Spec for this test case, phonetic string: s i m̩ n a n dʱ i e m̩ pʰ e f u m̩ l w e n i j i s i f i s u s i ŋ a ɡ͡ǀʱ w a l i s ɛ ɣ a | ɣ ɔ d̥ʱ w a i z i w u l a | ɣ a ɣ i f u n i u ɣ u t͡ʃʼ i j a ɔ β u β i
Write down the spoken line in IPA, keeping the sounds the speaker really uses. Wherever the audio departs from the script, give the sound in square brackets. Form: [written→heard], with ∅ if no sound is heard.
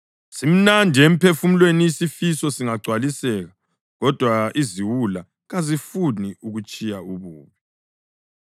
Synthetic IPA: s i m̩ n a n dʱ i e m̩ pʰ e f u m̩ l w e n i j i s i f i s [u→ɔ] s i ŋ a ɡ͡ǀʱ w a l i s ɛ ɣ a | ɣ ɔ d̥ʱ w a i z i w u l a | ɣ a [ɣ→z] i f u n i u ɣ u t͡ʃʼ i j a [ɔ→u] β [u→uː] β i